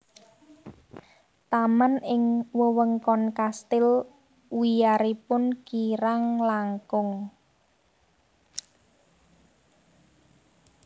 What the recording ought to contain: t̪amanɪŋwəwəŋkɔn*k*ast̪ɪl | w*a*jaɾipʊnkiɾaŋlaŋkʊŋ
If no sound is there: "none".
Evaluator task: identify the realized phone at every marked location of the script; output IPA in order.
k, i

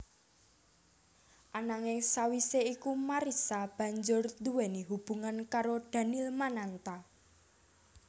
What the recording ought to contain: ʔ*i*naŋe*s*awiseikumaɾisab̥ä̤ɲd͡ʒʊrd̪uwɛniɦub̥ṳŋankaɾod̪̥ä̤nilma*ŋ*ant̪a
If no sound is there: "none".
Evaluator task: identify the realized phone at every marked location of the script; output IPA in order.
a, s, n

